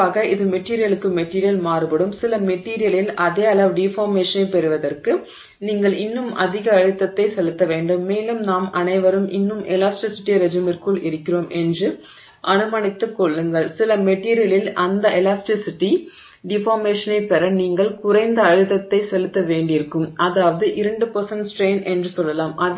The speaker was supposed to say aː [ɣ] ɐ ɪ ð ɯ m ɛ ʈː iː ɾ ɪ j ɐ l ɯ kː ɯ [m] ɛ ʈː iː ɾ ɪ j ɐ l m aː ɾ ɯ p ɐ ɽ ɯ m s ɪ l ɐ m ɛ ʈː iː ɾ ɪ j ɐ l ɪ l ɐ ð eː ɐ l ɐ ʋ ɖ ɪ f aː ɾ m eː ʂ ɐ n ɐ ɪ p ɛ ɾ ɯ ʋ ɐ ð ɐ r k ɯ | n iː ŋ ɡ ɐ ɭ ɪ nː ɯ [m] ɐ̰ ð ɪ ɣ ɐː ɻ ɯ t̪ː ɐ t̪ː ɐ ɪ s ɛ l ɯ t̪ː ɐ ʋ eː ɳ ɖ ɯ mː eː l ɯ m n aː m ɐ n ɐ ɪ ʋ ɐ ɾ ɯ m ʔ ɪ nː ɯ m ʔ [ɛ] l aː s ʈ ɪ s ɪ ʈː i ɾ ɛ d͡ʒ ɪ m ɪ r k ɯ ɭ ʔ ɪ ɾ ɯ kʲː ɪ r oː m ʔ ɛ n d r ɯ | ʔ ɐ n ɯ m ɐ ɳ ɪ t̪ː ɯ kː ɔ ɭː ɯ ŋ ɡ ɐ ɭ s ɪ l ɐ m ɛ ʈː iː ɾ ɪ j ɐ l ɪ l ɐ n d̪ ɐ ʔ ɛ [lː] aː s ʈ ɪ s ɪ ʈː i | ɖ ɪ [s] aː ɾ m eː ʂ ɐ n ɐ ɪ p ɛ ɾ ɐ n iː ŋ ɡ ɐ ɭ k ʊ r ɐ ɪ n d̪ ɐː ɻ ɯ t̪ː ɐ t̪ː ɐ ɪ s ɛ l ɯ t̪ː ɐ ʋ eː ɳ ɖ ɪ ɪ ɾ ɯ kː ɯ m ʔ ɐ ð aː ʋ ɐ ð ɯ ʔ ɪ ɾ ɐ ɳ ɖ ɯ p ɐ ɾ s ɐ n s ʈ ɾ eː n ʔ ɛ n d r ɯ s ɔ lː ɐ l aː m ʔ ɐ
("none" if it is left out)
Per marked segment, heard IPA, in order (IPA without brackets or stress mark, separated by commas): ɣ, m, m, ɛ, l, f